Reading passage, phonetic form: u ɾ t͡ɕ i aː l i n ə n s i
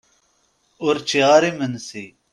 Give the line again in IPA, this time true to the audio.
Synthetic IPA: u ɾ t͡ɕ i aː ɾ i m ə n s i